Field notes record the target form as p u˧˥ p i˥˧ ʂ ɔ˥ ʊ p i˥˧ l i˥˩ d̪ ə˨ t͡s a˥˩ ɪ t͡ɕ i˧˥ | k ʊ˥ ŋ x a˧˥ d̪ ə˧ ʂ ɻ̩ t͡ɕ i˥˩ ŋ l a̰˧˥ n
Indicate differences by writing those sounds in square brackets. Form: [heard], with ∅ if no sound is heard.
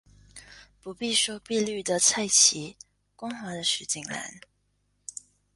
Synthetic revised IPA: p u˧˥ p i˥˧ ʂ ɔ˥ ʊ p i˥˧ l [y˥˩] d̪ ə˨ [t͡sʰ] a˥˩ ɪ [t͡ɕʰ] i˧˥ | k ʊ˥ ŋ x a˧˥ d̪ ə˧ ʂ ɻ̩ t͡ɕ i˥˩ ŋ l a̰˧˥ n